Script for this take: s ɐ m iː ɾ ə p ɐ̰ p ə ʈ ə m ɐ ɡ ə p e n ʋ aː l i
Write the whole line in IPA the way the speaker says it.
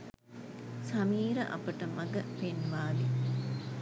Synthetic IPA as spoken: s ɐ m iː ɾ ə ʔ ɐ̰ p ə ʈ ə m ɐ ɡ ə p e n ʋ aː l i